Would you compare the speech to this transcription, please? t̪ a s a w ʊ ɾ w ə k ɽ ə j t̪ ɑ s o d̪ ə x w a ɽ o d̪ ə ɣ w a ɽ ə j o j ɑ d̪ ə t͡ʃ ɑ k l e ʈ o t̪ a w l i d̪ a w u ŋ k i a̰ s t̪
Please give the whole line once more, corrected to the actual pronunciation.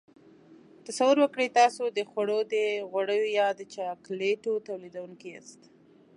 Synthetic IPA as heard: t̪ a s a w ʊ ɾ w ə k ɽ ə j t̪ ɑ s o d̪ ə x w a ɽ o d̪ ə ɣ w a ɽ ə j o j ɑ d̪ ə t͡ʃ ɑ k l e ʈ o t̪ a w l i d̪ a w u ŋ k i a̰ s t̪